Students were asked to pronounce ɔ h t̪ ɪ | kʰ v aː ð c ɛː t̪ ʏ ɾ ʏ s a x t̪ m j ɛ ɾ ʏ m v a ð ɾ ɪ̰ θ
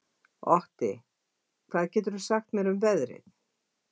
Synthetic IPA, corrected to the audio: ɔ h t̪ ɪ | kʰ v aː ð c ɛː t̪ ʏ ɾ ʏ s a x t̪ m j ɛ ɾ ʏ m v ɛ ð ɾ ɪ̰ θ